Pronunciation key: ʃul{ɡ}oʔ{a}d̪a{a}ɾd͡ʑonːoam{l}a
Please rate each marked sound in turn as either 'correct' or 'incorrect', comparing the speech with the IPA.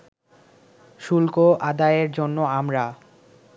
incorrect: k, correct, incorrect: e, incorrect: ɾ

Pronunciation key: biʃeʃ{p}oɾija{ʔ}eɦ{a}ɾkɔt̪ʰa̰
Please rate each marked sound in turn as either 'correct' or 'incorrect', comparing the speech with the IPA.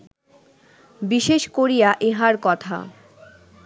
incorrect: k, correct, correct

